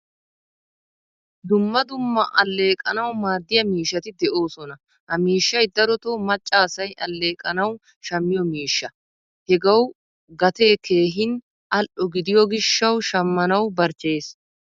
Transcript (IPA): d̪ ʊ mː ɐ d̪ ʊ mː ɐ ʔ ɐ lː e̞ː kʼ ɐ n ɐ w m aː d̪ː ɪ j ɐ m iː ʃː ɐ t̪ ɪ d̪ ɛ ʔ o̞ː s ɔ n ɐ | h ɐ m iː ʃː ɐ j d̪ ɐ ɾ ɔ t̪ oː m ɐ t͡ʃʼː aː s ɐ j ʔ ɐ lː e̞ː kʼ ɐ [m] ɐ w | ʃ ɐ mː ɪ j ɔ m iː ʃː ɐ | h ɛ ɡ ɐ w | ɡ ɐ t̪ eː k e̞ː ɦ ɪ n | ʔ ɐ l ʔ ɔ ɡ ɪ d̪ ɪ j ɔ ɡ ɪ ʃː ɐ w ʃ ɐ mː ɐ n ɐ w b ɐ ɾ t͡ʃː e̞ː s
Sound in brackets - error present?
yes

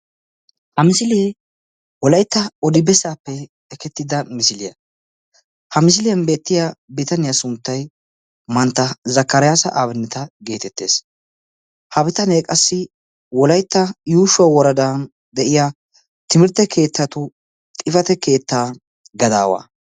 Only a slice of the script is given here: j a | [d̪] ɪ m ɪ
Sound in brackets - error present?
yes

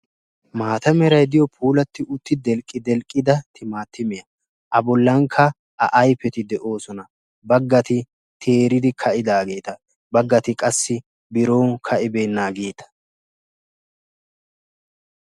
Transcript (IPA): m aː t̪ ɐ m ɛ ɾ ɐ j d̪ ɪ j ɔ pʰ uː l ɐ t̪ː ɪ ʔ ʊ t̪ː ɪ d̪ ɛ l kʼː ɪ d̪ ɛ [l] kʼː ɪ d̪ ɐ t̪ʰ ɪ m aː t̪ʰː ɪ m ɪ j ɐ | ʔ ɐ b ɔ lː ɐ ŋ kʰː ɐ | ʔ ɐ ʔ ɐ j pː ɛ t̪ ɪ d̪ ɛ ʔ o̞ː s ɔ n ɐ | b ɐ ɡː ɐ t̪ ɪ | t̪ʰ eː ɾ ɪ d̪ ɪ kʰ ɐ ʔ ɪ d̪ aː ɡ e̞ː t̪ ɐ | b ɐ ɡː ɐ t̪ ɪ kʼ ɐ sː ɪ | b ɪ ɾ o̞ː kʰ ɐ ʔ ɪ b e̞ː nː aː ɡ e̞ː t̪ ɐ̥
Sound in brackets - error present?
no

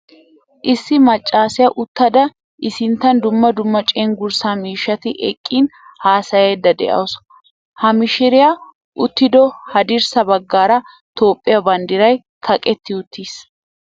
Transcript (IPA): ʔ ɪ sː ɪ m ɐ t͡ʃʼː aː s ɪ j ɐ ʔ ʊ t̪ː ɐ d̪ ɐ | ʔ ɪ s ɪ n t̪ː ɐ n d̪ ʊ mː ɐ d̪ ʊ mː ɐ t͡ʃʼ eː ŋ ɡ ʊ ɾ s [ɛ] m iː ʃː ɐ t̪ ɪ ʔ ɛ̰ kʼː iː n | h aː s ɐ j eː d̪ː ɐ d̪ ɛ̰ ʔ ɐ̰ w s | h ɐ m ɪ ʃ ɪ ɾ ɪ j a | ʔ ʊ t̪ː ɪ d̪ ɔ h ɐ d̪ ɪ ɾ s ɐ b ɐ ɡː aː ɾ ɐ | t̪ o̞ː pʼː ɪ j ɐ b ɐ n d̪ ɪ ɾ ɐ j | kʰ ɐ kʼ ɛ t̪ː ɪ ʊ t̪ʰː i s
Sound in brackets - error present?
yes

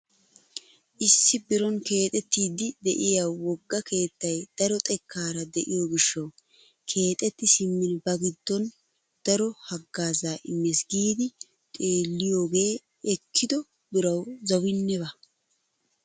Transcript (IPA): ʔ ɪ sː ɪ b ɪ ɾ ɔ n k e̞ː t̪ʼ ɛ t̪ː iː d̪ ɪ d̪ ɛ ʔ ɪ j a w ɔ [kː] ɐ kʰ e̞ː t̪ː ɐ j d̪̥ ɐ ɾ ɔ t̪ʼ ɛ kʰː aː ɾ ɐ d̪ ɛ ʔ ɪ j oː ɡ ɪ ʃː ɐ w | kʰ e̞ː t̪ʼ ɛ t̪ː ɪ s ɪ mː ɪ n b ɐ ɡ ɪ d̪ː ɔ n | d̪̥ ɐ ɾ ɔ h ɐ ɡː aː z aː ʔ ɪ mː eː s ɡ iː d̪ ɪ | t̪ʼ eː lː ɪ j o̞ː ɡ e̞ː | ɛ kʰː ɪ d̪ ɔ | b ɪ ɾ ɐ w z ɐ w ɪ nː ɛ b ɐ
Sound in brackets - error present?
yes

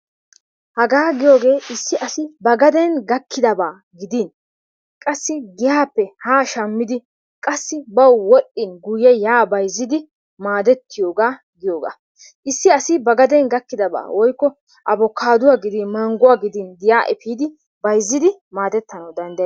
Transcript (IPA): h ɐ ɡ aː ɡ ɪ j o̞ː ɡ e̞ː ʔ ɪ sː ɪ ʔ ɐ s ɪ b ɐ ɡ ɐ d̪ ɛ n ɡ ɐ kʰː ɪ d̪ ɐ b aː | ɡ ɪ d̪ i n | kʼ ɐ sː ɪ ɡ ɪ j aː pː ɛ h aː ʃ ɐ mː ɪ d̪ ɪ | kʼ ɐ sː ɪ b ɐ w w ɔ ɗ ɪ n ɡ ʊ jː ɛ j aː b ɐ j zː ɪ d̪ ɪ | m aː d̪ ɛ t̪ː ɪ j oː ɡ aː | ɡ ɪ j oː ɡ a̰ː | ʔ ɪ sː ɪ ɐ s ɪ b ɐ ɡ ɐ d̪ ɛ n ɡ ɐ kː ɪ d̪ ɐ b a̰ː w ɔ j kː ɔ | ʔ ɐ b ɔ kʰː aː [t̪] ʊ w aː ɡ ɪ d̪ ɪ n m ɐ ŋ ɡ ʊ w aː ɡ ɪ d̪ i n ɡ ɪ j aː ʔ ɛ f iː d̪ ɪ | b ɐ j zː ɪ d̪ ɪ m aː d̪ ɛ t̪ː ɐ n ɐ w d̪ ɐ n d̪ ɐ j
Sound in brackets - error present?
yes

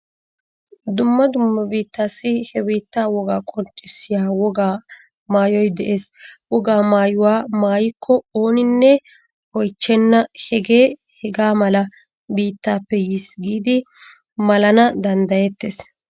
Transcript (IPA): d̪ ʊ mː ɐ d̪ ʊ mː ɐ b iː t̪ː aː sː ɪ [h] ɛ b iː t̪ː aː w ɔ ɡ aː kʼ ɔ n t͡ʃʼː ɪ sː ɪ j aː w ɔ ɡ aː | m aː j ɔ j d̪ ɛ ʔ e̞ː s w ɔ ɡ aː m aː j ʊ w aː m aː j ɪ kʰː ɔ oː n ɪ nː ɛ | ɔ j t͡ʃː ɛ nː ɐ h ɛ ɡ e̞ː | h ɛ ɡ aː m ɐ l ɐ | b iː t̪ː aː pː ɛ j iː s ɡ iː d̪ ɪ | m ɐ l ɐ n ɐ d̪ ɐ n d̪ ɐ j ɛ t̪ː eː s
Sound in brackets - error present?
no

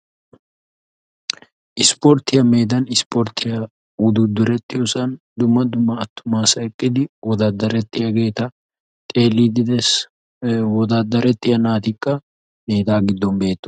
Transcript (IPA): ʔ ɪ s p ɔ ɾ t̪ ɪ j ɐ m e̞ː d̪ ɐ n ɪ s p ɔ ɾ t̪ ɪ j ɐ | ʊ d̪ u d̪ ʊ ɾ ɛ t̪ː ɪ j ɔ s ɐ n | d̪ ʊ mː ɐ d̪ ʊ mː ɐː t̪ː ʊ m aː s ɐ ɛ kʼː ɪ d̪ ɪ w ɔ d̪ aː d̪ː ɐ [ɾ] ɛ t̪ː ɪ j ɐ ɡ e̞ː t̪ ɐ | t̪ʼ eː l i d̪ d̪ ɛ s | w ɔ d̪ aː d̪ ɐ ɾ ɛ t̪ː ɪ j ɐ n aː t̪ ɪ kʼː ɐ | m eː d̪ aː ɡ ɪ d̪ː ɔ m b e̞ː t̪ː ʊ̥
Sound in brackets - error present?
no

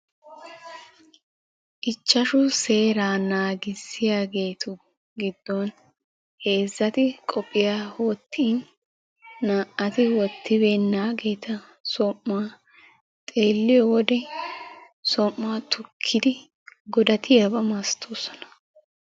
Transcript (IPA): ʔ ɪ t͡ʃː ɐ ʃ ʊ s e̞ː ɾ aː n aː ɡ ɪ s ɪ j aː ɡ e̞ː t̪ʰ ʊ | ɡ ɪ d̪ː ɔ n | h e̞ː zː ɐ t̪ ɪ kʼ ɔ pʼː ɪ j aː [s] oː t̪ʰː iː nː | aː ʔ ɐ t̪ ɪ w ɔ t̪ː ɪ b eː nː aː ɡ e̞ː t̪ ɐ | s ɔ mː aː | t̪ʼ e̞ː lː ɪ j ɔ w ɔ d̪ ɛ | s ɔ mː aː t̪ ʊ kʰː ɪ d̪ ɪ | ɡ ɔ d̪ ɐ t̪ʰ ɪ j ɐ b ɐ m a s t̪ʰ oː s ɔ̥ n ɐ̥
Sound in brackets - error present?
yes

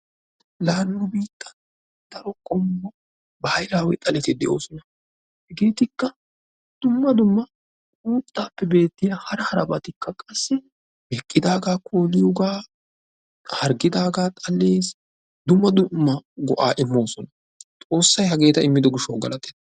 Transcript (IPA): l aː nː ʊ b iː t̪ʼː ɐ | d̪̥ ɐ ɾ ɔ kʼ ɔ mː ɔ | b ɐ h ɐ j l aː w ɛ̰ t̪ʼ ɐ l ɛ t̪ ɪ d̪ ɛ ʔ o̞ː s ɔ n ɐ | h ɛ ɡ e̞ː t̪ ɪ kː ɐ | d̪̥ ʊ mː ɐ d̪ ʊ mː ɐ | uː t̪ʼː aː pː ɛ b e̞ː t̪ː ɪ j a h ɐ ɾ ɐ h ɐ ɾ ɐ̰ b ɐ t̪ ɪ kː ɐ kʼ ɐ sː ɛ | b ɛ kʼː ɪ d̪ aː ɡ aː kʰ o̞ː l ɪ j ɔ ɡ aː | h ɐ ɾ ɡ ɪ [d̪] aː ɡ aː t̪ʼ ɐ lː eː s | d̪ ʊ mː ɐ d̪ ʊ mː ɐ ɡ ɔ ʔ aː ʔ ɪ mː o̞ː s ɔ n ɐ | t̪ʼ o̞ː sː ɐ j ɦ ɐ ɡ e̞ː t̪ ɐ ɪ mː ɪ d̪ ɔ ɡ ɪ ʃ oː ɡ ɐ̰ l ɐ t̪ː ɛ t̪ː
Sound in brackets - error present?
no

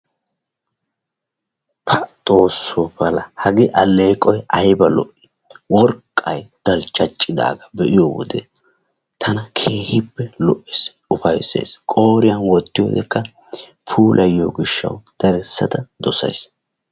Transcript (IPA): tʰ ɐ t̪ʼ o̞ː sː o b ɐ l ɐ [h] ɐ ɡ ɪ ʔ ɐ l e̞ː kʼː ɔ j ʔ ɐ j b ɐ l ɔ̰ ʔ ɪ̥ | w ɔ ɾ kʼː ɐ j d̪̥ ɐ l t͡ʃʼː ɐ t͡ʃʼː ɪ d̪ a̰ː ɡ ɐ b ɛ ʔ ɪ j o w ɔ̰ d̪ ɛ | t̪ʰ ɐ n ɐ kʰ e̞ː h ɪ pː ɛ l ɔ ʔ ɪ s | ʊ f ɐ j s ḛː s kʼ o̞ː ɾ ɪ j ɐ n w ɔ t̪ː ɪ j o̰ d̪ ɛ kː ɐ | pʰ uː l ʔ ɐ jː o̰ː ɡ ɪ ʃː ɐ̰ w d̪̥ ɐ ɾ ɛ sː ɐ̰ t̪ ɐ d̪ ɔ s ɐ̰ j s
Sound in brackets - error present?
no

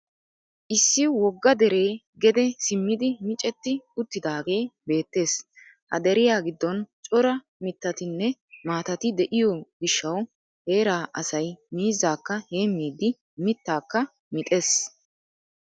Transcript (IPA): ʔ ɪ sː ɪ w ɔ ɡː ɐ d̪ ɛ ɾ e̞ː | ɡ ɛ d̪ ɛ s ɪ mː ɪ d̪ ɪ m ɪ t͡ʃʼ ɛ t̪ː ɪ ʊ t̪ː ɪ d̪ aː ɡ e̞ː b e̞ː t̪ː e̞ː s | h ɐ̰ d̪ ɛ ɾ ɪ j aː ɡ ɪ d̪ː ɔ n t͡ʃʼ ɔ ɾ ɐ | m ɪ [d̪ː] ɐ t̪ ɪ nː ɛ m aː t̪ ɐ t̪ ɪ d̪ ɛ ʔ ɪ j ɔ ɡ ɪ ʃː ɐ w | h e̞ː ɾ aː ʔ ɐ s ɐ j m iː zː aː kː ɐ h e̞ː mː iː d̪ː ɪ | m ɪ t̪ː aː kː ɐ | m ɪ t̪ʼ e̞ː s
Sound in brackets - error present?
yes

